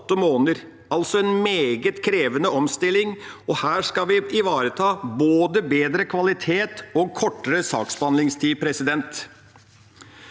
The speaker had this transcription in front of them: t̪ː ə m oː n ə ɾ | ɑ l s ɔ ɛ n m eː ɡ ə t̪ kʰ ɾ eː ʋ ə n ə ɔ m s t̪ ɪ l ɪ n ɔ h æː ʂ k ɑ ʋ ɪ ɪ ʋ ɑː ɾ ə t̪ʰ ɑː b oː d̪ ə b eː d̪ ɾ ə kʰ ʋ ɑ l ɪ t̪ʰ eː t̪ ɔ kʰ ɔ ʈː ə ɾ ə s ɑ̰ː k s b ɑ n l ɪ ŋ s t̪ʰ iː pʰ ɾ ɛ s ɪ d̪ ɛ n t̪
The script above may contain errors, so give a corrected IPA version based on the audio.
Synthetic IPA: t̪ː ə m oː n ə ɾ | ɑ l s ɔ ɛ n m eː ɡ ə t̪ kʰ ɾ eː ʋ ə n ə ɔ m s t̪ ɪ l ɪ ŋ ɔ h æː ʂ k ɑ ʋ ɪ ɪ ʋ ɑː ɾ ə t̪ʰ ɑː b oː d̪ ə b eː d̪ ɾ ə kʰ ʋ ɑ l ɪ t̪ʰ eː t̪ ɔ kʰ ɔ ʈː ə ɾ ə s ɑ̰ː k s b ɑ n l ɪ ŋ s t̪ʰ iː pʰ ɾ ɛ s ɪ d̪ ɛ n t̪